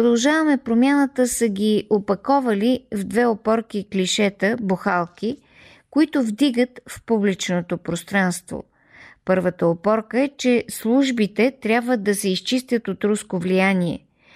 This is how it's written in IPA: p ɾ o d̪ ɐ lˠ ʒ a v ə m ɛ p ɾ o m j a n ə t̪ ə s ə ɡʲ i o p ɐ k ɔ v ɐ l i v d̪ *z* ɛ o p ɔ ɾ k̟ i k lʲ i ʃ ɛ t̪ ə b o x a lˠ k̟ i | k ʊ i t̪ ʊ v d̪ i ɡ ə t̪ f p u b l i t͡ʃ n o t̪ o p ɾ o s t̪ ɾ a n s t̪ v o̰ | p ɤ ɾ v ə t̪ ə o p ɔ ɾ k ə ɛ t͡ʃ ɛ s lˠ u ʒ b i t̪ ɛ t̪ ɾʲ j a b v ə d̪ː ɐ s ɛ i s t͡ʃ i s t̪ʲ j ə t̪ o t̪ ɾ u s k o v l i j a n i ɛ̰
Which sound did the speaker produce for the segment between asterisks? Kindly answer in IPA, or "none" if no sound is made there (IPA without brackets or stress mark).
v